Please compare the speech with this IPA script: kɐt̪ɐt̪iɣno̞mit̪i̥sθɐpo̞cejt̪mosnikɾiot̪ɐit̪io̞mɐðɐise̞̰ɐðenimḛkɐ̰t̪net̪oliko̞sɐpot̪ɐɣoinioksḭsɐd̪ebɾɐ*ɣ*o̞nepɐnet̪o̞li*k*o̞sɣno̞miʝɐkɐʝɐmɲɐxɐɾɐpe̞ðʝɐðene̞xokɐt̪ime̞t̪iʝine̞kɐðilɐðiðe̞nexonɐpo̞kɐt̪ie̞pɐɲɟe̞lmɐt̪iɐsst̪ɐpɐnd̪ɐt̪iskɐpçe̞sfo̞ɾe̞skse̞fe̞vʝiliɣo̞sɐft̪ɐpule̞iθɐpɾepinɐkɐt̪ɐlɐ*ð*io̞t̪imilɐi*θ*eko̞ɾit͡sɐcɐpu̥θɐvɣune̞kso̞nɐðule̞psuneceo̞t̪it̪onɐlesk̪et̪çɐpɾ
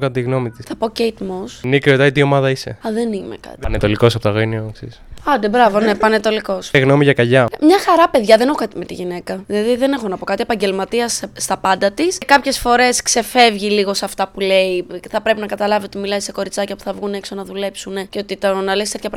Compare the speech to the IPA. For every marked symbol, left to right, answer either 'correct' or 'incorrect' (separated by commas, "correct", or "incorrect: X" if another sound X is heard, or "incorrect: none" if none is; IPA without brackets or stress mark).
incorrect: v, correct, incorrect: v, incorrect: s